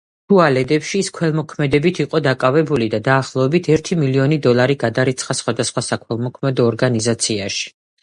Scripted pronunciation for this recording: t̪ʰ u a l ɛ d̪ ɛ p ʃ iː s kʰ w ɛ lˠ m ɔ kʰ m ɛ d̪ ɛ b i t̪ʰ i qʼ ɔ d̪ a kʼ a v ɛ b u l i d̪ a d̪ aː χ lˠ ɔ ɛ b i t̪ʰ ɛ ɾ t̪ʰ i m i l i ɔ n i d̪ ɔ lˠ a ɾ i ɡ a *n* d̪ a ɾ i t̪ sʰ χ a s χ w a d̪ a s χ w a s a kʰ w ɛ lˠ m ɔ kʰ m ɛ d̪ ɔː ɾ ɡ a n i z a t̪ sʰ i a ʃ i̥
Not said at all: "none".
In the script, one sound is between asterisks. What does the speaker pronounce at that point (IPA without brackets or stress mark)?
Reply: none